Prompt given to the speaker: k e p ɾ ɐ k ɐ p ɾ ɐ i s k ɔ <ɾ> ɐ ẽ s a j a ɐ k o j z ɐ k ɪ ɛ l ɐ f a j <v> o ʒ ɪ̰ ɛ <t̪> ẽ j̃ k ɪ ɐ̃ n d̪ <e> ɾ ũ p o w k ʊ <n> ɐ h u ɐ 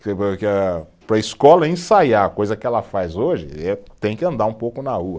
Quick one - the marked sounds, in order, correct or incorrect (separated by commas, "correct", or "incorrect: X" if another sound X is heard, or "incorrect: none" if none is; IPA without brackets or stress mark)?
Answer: incorrect: l, incorrect: z, correct, incorrect: a, correct